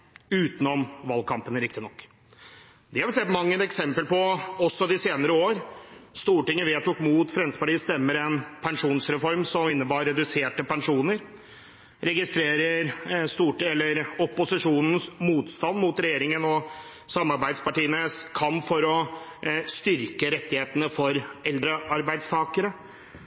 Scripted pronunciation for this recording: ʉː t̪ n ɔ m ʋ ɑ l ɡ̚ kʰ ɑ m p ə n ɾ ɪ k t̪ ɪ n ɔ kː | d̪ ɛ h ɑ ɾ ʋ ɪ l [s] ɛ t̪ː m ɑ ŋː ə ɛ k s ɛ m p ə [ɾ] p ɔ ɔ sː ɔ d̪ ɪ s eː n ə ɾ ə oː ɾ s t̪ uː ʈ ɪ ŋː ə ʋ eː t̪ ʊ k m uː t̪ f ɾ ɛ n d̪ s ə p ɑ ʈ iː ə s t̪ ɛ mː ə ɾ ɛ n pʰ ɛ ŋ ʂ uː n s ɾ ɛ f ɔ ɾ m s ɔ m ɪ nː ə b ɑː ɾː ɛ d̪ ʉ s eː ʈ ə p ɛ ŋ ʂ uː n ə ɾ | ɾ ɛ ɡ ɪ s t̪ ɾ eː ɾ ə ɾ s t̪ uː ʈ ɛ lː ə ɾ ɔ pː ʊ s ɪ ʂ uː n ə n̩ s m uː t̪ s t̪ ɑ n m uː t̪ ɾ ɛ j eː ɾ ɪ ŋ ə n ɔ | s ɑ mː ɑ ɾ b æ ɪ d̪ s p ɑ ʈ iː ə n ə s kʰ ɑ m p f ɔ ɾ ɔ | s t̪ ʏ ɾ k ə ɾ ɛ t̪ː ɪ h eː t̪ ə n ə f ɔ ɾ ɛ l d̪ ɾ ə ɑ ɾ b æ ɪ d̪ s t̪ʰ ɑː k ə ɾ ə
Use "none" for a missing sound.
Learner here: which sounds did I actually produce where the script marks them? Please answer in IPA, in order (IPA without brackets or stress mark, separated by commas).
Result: s, l